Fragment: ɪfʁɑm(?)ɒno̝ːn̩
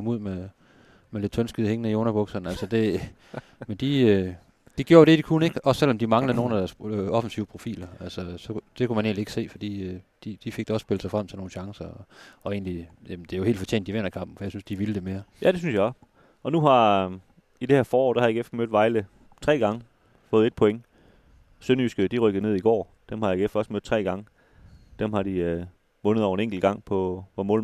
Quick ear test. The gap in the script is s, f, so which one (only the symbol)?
s